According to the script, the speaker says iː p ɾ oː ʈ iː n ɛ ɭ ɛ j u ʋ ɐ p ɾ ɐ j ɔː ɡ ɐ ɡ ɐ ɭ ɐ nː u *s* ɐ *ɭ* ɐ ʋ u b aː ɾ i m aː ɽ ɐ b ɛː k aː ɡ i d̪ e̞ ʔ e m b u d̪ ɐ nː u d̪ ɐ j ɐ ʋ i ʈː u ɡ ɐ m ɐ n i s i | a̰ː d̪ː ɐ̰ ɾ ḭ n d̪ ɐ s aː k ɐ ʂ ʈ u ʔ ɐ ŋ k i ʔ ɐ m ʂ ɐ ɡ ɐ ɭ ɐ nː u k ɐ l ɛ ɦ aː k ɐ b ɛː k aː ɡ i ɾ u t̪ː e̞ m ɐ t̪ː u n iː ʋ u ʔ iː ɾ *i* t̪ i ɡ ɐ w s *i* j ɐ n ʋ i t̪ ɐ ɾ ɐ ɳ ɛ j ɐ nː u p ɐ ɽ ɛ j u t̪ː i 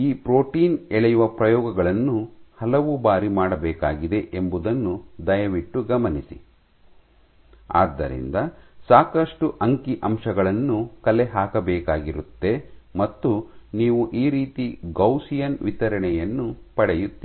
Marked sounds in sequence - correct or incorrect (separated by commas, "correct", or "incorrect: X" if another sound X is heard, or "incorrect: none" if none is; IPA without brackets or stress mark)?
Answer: incorrect: h, incorrect: l, incorrect: iː, correct